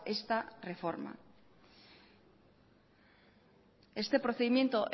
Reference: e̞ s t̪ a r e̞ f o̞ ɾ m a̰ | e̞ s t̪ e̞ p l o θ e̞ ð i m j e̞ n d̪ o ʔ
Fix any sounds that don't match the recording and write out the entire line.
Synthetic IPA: e̞ s t̪ a r e̞ f o̞ ɾ m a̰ | e̞ s t̪ e̞ p ɾ o θ e̞ ð i m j e̞ n t̪ o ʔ